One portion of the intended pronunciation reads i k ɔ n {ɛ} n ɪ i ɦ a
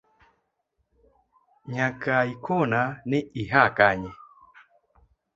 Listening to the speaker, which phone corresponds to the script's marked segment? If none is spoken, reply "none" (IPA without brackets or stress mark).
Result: a